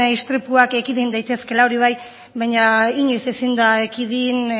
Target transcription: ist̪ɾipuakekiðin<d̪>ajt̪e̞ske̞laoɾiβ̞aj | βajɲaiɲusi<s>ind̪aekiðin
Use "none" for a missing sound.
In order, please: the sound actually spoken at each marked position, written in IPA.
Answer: d̪, s

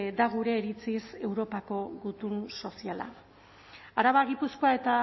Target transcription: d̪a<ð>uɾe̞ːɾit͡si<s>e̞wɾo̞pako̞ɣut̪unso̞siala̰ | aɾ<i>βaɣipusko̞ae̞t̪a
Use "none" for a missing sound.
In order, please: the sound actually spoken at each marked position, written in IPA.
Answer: ɣ, s, a

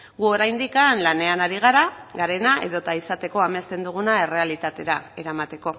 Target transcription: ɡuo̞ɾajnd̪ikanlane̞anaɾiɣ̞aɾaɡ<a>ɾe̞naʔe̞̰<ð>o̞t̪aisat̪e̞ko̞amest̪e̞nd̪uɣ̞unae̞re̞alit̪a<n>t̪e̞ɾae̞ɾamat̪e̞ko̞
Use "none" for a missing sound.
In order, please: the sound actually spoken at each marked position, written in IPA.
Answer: a, ð, none

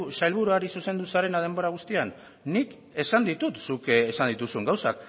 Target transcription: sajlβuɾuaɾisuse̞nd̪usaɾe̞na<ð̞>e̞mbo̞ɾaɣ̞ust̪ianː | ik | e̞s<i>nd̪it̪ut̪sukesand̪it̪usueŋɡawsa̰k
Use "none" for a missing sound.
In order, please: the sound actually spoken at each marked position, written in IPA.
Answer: ð̞, a

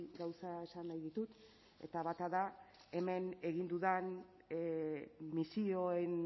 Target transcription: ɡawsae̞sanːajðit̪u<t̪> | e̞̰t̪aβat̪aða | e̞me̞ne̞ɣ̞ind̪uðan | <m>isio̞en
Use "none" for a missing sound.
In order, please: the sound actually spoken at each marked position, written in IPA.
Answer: t̪, m

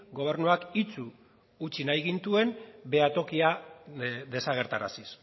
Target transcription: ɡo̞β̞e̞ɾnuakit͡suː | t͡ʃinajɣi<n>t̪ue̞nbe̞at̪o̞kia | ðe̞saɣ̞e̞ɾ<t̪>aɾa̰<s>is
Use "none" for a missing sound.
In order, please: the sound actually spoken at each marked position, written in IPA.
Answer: n, t̪, s

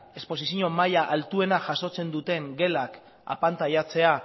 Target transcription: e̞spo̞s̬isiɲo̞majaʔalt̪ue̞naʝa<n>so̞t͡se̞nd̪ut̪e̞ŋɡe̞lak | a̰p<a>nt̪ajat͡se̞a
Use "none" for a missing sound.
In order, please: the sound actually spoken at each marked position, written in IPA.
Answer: none, a

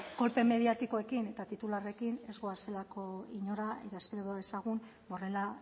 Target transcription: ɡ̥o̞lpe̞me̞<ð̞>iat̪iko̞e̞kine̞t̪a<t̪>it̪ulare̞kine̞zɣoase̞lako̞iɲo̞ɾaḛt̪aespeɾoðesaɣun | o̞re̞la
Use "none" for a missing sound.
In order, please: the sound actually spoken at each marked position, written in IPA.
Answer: ð̞, t̪

